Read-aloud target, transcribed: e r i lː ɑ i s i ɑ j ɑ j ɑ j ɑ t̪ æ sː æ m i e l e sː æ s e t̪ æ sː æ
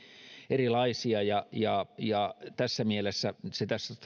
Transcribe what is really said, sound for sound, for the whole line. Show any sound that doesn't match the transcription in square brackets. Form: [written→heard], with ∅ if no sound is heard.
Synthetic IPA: e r i [lː→l] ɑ i s i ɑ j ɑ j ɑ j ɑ t̪ æ sː æ m i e l e sː æ s e t̪ æ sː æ